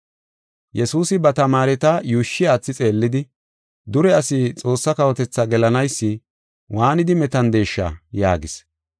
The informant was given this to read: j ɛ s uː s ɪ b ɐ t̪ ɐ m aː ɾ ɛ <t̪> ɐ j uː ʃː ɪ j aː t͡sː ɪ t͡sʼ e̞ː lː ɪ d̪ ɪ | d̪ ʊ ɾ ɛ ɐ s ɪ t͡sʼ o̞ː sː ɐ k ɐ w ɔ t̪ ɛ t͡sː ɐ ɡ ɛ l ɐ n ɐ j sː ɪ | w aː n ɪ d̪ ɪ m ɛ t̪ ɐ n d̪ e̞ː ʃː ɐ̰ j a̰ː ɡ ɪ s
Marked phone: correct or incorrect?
correct